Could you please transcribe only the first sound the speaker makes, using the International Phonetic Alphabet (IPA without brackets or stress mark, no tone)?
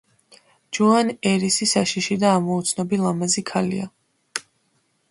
d͡ʒ